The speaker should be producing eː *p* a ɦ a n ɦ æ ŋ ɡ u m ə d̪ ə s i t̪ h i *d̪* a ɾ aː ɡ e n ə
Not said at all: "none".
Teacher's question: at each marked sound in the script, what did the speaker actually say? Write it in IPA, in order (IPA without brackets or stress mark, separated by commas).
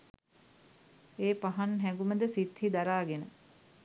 p, d̪